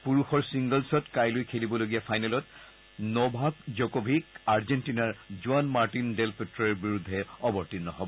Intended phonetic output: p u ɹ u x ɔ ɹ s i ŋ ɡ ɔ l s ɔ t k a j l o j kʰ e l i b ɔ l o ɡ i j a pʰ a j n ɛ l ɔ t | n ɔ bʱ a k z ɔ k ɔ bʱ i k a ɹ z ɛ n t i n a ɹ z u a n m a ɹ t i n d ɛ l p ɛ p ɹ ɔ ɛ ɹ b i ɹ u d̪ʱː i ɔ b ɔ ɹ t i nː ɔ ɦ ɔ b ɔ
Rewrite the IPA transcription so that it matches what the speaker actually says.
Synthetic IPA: p u ɹ u x ɔ ɹ s i ŋ ɡ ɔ l s ɔ t k a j l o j kʰ e l i b ɔ l o ɡ i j a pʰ a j n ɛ l ɔ t | n ɔ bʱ a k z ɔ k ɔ bʱ i k a ɹ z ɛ n t i n a ɹ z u a n m a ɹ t i n d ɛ l p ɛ t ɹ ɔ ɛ ɹ b i ɹ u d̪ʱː ɛ ɔ b ɔ ɹ t i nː ɔ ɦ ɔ b ɔ